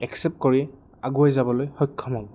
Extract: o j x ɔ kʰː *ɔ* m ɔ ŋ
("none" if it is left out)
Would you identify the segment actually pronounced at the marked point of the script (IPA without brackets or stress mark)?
ɔ